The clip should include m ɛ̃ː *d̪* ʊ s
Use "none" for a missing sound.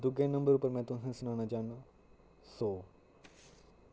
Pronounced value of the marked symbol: t̪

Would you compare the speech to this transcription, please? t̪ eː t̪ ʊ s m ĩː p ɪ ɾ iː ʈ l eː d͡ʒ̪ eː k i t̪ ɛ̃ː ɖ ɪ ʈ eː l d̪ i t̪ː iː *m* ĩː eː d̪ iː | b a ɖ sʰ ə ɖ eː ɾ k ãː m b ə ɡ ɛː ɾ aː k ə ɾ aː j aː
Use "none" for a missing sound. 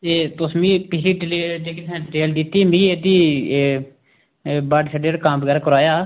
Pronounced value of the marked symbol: m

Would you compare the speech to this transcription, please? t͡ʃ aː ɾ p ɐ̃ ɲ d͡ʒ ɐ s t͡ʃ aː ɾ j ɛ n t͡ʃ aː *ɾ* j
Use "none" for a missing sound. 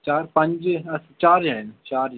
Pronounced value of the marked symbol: ɾ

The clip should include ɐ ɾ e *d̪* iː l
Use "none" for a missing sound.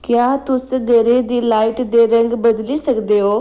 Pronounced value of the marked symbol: d̪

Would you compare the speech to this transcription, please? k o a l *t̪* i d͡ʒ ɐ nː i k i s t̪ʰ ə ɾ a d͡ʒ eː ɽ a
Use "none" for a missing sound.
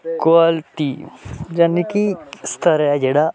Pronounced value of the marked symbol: t̪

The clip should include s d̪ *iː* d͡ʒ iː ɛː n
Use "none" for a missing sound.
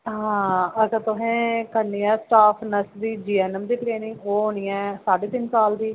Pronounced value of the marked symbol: iː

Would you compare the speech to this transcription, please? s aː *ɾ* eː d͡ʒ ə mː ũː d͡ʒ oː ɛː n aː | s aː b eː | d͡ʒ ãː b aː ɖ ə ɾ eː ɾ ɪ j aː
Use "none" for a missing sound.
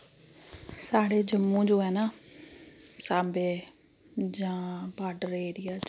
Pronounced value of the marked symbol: ɽ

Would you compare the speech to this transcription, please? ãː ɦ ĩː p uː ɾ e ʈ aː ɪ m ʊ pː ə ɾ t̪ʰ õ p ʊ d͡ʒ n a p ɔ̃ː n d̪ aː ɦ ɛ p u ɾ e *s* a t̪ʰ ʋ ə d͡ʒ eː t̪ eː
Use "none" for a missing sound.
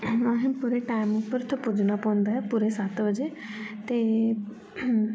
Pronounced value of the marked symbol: s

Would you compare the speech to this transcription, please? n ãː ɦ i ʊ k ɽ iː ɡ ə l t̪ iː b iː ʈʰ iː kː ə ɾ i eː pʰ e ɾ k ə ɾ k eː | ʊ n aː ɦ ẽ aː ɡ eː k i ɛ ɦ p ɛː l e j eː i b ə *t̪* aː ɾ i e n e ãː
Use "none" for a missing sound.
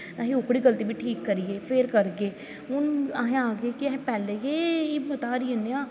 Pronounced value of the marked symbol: t̪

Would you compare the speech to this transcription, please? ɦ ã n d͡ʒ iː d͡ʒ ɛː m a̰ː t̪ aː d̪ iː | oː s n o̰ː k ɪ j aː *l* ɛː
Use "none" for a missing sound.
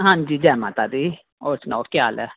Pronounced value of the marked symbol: l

